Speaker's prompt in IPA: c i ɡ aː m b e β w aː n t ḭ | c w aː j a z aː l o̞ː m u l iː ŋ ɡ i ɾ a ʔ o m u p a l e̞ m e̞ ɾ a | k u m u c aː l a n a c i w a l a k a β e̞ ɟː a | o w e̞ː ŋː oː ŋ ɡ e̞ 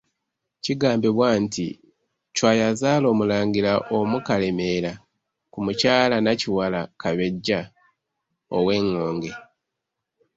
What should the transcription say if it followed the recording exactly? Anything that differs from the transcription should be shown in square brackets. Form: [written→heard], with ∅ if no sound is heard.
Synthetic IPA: c i ɡ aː m b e β w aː n t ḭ | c w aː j a z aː l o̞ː m u l [iː→aː] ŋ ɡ i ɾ a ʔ o m u [p→k] a l e̞ m e̞ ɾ a | k u m u c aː l a n a c i w a l a k a β e̞ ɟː a | o w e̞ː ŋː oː ŋ ɡ e̞